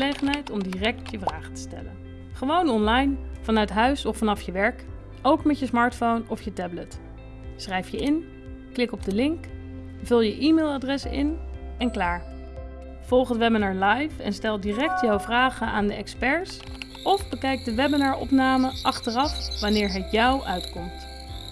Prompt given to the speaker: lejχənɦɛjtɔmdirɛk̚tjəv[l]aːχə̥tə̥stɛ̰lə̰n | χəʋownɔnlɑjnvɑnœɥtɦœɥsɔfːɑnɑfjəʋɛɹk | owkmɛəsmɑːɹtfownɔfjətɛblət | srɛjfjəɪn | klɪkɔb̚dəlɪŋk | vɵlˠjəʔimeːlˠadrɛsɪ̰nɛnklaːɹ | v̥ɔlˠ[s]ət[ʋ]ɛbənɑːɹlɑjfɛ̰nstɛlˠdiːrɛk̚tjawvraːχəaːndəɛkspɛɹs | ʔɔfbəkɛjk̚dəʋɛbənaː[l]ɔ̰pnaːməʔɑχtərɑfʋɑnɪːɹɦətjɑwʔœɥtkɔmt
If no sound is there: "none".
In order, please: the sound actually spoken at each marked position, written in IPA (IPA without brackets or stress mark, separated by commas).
r, χ, ʋ, ɹ